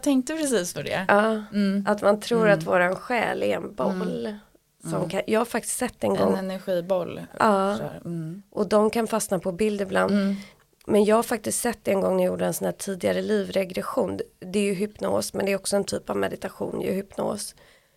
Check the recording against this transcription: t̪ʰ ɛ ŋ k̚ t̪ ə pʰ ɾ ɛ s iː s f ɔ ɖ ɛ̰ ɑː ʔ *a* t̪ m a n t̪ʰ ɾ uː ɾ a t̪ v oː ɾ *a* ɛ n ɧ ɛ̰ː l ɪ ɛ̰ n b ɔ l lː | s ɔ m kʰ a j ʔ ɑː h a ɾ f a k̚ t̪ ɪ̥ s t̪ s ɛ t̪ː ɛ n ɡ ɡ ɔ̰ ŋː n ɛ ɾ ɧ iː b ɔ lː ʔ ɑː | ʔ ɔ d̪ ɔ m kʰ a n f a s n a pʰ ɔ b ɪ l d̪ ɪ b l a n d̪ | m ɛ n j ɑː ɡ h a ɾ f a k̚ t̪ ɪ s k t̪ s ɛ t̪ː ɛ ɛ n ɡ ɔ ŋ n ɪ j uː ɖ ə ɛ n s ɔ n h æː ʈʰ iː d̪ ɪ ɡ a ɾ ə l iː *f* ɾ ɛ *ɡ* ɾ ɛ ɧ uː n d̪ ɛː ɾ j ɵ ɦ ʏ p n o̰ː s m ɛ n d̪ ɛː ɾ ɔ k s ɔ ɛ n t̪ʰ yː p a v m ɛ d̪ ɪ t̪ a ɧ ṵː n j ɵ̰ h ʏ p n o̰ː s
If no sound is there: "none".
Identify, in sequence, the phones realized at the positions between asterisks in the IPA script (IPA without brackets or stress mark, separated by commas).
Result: a, a, v, ɡ